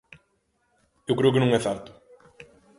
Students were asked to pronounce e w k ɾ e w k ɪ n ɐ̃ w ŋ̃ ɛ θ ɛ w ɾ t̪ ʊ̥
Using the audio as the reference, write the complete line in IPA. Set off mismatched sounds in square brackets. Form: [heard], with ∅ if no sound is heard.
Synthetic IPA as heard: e w k ɾ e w k ɪ n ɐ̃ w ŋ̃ ɛ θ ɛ [∅] ɾ t̪ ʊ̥